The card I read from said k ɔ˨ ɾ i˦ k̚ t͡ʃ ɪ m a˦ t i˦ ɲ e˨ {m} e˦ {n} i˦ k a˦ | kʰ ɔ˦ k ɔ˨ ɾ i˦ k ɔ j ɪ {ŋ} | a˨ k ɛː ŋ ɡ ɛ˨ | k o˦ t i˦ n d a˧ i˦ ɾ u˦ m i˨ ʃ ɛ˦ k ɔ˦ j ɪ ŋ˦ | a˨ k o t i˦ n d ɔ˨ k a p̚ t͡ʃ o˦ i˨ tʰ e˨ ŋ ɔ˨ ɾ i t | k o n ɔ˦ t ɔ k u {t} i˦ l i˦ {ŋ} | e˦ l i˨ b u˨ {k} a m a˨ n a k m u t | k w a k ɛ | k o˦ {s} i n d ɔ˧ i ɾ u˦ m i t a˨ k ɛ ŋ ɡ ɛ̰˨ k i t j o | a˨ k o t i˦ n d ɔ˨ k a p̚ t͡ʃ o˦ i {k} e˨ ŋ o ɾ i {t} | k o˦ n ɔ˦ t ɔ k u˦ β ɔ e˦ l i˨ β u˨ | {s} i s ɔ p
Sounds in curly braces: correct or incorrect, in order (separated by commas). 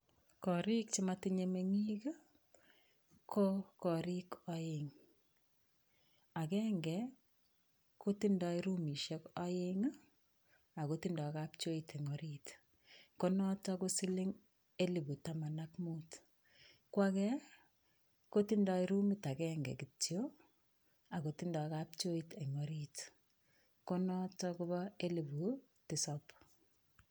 correct, incorrect, correct, incorrect, correct, incorrect, incorrect, incorrect, correct, incorrect